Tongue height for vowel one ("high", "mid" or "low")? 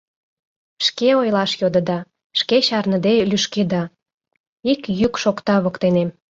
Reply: mid